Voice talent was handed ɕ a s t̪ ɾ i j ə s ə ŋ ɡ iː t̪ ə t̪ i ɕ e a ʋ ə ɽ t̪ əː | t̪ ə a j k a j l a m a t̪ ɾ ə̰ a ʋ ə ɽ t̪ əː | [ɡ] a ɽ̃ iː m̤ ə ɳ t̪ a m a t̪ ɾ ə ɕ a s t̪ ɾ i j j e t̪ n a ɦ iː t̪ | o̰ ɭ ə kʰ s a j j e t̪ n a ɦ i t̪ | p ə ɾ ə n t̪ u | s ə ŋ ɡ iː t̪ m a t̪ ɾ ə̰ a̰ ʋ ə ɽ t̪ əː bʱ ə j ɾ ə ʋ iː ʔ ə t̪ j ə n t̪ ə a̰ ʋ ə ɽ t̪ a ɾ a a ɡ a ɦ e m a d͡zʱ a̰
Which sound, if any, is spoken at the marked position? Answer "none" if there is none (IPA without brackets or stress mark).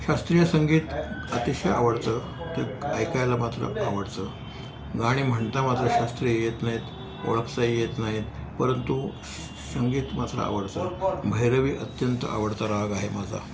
ɡ